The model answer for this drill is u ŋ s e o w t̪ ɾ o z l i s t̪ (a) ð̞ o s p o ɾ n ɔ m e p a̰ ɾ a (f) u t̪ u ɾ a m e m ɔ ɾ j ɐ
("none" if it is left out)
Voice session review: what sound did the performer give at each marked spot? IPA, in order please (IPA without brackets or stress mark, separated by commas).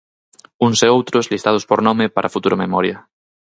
a, f